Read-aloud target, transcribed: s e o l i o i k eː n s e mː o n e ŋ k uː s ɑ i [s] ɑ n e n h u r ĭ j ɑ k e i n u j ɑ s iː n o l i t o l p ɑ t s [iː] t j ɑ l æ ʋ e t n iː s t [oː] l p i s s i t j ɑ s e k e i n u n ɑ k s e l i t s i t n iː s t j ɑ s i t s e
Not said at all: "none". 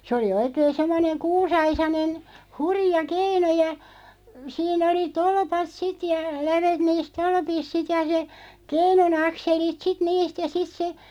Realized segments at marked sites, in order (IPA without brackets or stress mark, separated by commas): s, i, o